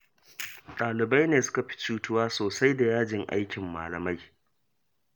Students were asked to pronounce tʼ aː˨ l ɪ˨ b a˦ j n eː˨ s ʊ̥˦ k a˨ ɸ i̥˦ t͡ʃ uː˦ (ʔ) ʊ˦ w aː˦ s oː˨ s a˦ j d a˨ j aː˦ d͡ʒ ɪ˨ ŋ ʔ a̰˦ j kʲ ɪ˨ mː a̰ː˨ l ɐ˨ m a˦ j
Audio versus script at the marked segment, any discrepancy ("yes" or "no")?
yes